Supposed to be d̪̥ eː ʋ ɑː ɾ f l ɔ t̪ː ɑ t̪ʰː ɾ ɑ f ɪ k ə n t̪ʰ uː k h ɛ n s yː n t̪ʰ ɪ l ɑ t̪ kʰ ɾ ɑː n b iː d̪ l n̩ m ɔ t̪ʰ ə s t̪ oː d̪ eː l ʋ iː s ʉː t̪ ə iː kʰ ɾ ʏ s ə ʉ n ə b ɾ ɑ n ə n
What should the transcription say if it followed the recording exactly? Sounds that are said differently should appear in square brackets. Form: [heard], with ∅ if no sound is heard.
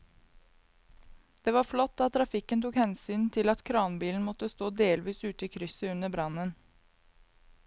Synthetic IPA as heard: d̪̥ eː ʋ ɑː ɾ f l ɔ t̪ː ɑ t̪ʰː ɾ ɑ f ɪ k ə n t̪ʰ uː k h ɛ n s yː n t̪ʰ ɪ l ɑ t̪ kʰ ɾ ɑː n b iː [∅] l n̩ m ɔ [t̪] ə s t̪ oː d̪ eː l ʋ iː s ʉː t̪ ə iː kʰ ɾ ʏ s ə ʉ n ə b ɾ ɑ n ə n

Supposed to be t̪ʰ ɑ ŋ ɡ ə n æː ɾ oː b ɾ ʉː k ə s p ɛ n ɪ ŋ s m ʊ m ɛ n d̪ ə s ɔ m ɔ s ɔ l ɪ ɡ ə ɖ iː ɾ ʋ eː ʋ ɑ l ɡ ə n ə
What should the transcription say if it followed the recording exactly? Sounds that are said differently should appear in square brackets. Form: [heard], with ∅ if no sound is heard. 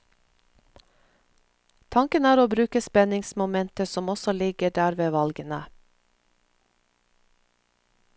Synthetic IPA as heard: t̪ʰ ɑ ŋ [k] ə n æː ɾ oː b ɾ ʉː k ə s p ɛ n ɪ ŋ s m ʊ m ɛ n [t̪] ə s ɔ m ɔ s ɔ l ɪ ɡ ə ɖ [æː] ɾ ʋ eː ʋ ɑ l ɡ ə n ə

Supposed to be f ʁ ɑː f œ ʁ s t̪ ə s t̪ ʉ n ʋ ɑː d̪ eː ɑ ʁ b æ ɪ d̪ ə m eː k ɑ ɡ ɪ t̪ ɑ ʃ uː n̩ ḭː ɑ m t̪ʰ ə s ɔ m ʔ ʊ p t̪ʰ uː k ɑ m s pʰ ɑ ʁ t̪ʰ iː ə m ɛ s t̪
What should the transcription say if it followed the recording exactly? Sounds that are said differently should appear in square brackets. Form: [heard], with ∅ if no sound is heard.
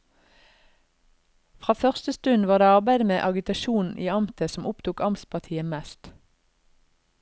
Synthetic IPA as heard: f ʁ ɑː f œ ʁ s t̪ ə s t̪ ʉ n ʋ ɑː d̪ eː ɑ ʁ b æ ɪ d̪ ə m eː [ʔ] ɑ ɡ ɪ t̪ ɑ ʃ uː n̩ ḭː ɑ m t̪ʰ ə s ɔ m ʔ ʊ p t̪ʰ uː k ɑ m s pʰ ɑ ʁ t̪ʰ iː ə m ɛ s t̪

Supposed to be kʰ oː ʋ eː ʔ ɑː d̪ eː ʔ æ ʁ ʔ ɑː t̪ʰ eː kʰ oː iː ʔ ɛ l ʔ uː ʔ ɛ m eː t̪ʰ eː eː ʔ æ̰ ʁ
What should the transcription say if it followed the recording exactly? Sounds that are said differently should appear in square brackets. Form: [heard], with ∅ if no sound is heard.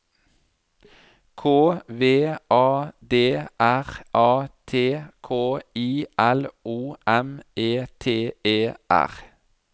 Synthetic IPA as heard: kʰ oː ʋ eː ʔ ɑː d̪ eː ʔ æ ʁ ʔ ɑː t̪ʰ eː kʰ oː iː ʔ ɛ l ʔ uː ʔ ɛ m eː t̪ʰ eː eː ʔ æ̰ ʁ

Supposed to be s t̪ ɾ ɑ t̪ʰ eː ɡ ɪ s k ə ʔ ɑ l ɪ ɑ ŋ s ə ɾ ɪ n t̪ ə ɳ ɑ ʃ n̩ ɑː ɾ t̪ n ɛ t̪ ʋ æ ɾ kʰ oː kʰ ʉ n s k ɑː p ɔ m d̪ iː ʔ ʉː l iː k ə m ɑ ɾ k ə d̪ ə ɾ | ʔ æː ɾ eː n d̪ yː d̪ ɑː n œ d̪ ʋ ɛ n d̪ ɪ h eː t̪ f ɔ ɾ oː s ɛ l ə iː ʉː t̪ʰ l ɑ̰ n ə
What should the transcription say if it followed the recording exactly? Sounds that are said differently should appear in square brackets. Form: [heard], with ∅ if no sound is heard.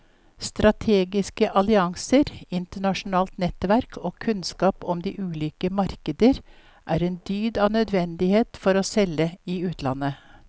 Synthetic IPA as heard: s t̪ ɾ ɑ t̪ʰ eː ɡ ɪ s k ə ʔ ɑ l ɪ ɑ ŋ s ə ɾ ɪ n t̪ ə ɳ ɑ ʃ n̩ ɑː [l] t̪ n ɛ t̪ ʋ æ ɾ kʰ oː kʰ ʉ n s k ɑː p ɔ m d̪ iː ʔ ʉː l iː k ə m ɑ ɾ k ə d̪ ə ɾ | ʔ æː ɾ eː n d̪ yː d̪ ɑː n œ d̪ ʋ ɛ n d̪ ɪ h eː t̪ f ɔ ɾ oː s ɛ l ə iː ʉː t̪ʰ l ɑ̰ n ə

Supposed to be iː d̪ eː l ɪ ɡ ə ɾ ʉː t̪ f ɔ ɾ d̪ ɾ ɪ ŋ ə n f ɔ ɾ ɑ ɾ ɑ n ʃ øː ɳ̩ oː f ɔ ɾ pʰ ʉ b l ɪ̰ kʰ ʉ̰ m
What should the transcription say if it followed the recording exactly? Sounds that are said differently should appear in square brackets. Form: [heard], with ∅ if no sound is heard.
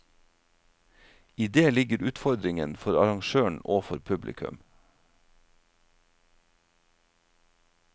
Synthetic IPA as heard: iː d̪ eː l ɪ ɡ ə ɾ ʉː t̪ f ɔ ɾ d̪ ɾ ɪ ŋ ə n f ɔ ɾ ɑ ɾ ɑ [ŋ] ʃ øː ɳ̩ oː f ɔ ɾ pʰ ʉ b l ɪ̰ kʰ ʉ̰ m

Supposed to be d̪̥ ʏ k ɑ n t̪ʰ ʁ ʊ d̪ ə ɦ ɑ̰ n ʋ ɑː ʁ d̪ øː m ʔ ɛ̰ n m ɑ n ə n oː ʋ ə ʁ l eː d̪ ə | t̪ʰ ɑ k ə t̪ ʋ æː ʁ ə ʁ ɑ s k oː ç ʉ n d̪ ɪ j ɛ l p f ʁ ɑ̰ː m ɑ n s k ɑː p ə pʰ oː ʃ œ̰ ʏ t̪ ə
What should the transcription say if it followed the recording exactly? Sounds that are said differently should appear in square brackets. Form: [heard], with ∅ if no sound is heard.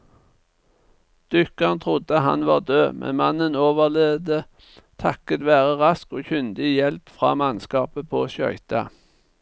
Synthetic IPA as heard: d̪̥ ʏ k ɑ n t̪ʰ ʁ ʊ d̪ ə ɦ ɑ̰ n ʋ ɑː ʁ d̪ øː m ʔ ɛ̰ n m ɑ n ə n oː ʋ ə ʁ l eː d̪ ə | t̪ʰ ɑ k ə t̪ ʋ æː ʁ ə ʁ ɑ s k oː ç ʉ n d̪ ɪ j ɛ l p f ʁ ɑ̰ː m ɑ n s k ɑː p ə pʰ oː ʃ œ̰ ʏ t̪ [ɑ]

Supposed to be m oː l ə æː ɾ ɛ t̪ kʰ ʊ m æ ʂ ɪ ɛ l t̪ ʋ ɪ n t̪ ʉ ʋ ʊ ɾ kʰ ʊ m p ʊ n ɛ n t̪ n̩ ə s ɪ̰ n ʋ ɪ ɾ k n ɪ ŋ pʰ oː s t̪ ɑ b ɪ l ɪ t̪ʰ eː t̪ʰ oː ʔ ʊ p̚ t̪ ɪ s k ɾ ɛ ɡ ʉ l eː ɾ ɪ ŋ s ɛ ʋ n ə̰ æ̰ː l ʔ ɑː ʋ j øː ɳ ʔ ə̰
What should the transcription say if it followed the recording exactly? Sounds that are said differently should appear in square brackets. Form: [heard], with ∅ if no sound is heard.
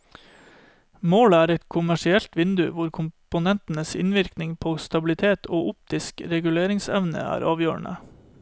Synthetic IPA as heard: m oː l ə æː ɾ ɛ t̪ kʰ ʊ m æ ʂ ɪ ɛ l t̪ ʋ ɪ n [d̪] ʉ ʋ ʊ ɾ kʰ ʊ m p ʊ n ɛ n t̪ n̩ ə s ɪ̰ n ʋ ɪ ɾ k n ɪ ŋ pʰ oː s t̪ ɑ b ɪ l ɪ t̪ʰ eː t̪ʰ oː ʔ ʊ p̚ t̪ ɪ s k ɾ ɛ ɡ ʉ l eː ɾ ɪ ŋ s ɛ ʋ n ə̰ æ̰ː [ɾ] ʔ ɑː ʋ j øː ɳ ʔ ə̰

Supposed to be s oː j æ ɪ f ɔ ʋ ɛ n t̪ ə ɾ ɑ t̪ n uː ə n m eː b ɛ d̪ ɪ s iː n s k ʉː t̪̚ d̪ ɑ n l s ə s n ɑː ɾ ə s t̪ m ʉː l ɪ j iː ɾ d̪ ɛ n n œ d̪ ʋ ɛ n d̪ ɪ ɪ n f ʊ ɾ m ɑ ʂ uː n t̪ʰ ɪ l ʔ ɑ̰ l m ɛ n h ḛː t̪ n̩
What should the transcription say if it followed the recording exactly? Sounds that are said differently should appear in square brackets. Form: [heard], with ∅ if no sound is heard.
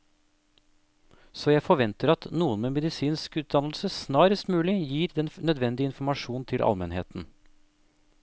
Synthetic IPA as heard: s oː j æ ɪ f ɔ ʋ ɛ n t̪ ə ɾ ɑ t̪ n uː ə n m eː [m] ɛ d̪ ɪ s iː n s k ʉː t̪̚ d̪ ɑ n l s ə s n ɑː ɾ ə s t̪ m ʉː l ɪ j iː ɾ d̪ ɛ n n œ d̪ ʋ ɛ n d̪ ɪ ɪ n f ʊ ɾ m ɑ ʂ uː n t̪ʰ ɪ l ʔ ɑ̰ l m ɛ n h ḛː t̪ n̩

